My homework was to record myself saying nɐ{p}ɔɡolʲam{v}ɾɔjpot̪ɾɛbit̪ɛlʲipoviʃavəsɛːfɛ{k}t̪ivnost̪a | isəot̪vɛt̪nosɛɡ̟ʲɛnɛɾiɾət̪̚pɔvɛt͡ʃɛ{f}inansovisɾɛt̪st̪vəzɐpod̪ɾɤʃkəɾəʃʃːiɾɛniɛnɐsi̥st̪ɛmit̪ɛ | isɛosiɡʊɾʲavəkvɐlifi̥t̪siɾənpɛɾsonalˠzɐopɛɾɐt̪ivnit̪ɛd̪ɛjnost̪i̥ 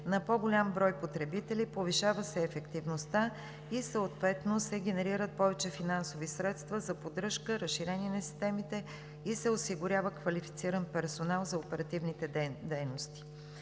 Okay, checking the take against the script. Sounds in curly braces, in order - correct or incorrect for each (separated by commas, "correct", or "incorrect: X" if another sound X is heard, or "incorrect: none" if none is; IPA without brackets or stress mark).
correct, incorrect: b, correct, correct